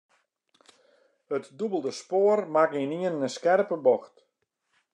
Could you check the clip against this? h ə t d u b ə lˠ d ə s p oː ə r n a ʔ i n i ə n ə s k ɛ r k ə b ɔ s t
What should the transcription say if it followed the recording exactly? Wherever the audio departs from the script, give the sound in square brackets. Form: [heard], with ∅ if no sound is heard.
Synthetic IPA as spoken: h ə t d u b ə lˠ d ə s p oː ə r [m] a [k] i n i ə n ə s k ɛ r [p] ə b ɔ [x] t